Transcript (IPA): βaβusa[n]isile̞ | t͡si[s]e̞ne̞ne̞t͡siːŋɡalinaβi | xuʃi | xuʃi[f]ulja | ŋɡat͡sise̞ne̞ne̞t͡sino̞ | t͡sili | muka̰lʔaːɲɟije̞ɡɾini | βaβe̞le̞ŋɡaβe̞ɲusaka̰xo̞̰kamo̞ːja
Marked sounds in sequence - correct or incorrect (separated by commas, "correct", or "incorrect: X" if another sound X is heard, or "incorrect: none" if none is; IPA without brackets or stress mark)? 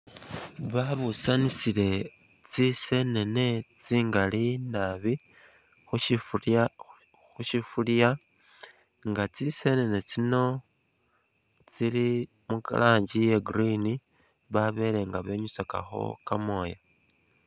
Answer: correct, correct, correct